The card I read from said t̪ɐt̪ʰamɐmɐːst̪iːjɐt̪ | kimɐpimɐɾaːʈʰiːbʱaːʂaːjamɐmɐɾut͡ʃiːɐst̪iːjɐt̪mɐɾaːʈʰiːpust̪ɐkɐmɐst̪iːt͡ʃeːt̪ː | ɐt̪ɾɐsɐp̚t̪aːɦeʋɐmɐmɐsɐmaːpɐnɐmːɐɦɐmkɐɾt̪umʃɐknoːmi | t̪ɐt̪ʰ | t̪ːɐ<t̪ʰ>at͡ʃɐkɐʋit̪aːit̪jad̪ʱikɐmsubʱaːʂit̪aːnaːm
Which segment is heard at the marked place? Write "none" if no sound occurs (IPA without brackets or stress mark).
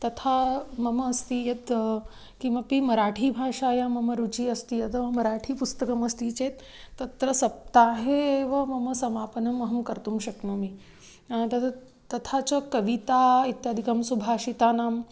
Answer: t̪ʰ